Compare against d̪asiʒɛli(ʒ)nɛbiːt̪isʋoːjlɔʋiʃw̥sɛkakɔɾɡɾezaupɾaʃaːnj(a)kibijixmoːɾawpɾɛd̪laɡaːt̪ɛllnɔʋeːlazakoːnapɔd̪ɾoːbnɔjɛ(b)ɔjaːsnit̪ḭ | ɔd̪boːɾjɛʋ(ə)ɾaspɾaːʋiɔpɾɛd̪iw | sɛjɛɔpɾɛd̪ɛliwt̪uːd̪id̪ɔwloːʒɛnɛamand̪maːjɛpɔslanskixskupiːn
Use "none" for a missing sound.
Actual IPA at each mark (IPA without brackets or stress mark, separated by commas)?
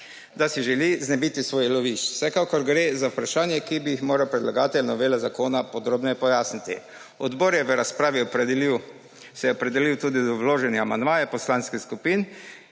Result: z, ɛ, p, ə